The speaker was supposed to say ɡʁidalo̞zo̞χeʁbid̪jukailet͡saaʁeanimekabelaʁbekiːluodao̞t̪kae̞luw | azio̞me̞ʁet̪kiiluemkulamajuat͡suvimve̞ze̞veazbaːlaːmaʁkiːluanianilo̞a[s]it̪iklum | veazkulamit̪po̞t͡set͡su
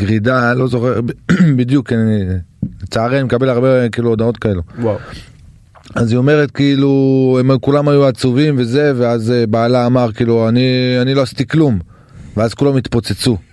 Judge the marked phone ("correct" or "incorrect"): correct